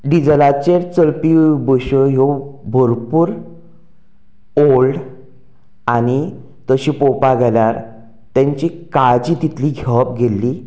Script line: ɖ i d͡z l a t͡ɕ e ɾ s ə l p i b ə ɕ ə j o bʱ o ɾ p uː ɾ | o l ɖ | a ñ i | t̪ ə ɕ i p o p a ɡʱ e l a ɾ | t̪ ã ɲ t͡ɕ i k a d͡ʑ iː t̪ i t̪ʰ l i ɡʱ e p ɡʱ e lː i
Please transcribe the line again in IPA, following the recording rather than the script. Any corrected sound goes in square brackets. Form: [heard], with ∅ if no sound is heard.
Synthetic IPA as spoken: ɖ i d͡z l a t͡ɕ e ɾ [t͡s] ə l p i b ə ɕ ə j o bʱ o ɾ p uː ɾ | o l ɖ | a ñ i | t̪ ə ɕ i p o p a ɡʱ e l a ɾ | t̪ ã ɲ t͡ɕ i k a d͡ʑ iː t̪ i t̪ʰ l i ɡʱ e p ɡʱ e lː i